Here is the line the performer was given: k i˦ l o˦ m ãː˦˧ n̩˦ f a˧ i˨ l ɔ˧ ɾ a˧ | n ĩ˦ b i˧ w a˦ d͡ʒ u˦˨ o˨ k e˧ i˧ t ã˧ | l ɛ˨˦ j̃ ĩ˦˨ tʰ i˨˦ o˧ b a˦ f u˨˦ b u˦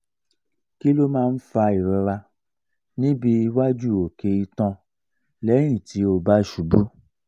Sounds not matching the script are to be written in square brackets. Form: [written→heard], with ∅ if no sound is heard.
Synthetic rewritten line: k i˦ l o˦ m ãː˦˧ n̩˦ f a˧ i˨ [l→ɾ] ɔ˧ ɾ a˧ | n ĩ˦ b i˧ w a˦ d͡ʒ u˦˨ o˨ k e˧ i˧ t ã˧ | l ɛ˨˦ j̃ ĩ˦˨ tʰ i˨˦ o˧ b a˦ [f→ʃ] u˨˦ b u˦